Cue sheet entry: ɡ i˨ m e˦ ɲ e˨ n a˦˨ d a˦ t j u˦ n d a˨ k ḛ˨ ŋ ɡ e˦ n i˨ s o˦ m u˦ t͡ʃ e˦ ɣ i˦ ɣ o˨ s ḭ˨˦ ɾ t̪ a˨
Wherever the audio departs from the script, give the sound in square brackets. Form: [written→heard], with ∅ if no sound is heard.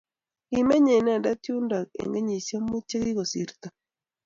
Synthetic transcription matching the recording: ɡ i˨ m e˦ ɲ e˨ n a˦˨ d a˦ t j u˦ n d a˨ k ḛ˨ ŋ ɡ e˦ [n→ɲ] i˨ s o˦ m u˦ t͡ʃ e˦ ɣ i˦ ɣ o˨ s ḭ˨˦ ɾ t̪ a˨